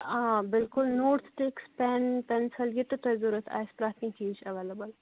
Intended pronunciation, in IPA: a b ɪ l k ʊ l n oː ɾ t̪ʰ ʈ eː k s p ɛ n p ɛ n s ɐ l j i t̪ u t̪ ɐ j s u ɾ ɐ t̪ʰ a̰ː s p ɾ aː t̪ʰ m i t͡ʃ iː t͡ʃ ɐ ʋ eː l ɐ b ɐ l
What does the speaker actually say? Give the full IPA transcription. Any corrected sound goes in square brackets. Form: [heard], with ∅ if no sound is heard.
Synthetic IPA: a b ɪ l k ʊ l n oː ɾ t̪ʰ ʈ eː k s p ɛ n p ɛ n s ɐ l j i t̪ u t̪ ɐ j [z] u ɾ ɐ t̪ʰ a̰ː s p ɾ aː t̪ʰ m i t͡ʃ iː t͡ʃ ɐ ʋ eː l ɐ b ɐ l